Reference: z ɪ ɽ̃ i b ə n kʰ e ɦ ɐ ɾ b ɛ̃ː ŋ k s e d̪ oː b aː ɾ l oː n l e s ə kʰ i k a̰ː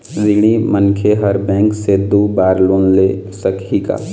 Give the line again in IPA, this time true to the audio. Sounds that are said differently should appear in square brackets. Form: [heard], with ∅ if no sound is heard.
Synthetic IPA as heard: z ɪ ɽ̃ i [m] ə n kʰ e ɦ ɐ ɾ b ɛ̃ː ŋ k s e d̪ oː b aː ɾ l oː n l e s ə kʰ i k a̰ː